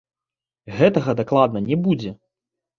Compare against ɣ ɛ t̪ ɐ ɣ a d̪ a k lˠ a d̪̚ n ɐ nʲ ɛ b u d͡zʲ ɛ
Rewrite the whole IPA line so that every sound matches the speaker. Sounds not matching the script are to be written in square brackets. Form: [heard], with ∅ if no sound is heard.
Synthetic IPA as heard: ɣ ɛ t̪ ɐ ɣ [ɐ] d̪ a k lˠ a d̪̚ n ɐ nʲ ɛ b u d͡zʲ ɛ